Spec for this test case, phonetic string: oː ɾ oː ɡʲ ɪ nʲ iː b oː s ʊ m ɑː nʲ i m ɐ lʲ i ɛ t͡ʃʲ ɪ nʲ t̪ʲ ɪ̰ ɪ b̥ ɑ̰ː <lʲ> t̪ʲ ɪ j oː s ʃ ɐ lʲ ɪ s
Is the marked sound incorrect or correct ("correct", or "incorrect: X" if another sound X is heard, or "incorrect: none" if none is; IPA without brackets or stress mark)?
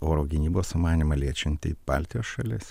correct